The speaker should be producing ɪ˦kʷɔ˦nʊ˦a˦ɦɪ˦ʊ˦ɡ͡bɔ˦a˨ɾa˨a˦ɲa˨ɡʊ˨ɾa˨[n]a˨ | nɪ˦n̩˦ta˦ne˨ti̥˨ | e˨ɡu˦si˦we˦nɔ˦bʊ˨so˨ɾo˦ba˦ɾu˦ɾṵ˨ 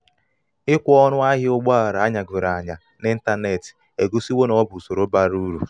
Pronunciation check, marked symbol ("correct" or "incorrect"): incorrect